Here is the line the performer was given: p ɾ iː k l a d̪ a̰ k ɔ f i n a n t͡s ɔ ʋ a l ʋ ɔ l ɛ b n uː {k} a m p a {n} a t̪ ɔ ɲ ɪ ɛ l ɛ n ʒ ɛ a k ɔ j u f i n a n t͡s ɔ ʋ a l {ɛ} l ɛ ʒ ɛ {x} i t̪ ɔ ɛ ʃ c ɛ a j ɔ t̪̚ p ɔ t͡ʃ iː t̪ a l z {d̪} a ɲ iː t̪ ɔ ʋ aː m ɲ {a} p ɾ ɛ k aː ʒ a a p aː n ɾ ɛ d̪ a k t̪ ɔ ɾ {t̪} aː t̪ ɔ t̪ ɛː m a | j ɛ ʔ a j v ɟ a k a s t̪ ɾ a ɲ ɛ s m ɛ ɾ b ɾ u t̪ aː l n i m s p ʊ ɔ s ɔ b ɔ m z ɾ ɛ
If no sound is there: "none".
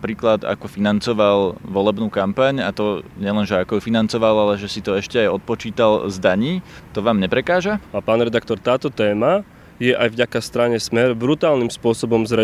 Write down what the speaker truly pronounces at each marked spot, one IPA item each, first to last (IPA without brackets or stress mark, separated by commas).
k, ɲ, a, s, d̪, ɛ, t̪